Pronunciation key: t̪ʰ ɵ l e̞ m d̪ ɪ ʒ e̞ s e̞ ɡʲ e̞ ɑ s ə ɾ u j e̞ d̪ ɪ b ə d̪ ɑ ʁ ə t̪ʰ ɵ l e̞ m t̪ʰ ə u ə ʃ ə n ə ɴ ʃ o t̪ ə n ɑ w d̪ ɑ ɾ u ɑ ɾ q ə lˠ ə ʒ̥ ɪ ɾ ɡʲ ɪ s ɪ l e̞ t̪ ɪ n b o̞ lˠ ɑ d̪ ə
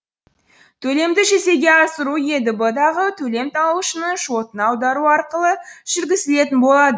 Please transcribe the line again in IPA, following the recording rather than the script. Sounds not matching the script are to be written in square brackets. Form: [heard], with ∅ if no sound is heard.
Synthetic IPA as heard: t̪ʰ ɵ l e̞ m d̪ ɪ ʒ e̞ s e̞ ɡʲ e̞ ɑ s ə ɾ u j e̞ d̪ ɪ b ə d̪ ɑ ʁ ə t̪ʰ ɵ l e̞ m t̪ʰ [ɑ] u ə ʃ ə n ə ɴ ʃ o t̪ ə n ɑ w d̪ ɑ ɾ u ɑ ɾ q ə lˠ ə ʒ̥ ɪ ɾ ɡʲ ɪ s ɪ l e̞ t̪ ɪ n b o̞ lˠ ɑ d̪ ə